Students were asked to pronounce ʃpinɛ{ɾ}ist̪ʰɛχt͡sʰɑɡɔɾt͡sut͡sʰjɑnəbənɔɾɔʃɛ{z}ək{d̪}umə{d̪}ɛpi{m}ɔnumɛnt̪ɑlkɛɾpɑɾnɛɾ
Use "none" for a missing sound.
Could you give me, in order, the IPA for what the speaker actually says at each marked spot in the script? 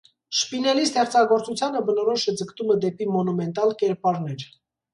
l, d͡z, t̪, d̪, m

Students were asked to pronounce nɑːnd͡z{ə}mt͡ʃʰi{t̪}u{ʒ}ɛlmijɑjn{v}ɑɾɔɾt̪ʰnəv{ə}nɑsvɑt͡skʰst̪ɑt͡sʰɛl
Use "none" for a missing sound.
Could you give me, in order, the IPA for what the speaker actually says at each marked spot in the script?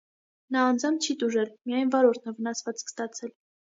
ɑ, t̪, ʒ, v, ə

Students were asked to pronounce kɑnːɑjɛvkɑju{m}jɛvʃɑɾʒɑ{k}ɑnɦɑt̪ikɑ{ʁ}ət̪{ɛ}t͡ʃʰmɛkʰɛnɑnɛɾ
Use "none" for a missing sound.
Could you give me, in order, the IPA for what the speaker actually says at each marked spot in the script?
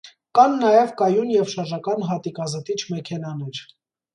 n, k, z, i

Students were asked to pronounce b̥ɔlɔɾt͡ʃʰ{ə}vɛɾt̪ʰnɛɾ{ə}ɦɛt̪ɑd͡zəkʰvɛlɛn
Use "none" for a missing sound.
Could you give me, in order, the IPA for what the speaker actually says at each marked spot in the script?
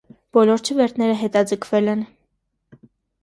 ə, ə

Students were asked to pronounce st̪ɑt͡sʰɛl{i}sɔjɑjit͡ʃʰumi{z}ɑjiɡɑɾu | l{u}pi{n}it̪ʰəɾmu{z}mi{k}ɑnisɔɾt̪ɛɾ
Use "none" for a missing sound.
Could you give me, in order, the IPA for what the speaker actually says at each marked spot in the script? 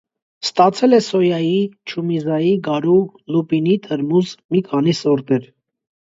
ɛ, z, u, n, z, kʰ

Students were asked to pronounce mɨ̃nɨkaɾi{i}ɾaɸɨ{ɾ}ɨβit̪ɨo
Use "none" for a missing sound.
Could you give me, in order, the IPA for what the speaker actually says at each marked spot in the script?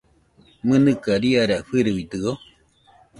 a, ɾ

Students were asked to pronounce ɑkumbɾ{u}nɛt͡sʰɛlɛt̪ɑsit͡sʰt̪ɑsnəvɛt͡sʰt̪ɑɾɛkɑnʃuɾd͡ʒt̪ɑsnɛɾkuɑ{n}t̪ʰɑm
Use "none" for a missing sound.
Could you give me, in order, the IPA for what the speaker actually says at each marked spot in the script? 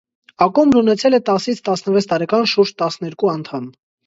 u, n

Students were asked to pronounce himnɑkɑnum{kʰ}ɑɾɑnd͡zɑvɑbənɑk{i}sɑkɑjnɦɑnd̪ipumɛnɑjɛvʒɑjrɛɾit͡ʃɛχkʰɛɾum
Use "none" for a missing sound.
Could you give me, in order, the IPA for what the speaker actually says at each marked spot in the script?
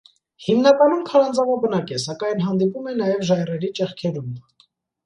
kʰ, ɛ

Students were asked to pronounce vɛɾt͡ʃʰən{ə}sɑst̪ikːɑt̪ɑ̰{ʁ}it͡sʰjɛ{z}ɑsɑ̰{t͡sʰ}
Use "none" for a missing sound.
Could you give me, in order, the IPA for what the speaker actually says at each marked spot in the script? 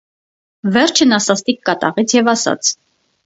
ɑ, ʁ, v, t͡sʰ

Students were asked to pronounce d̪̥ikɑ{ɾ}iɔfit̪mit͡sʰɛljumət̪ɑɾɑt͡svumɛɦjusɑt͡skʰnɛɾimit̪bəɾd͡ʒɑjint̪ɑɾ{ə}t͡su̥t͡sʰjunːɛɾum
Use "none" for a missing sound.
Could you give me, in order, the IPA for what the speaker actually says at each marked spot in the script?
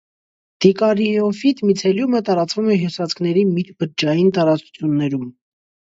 ɾ, ɑ

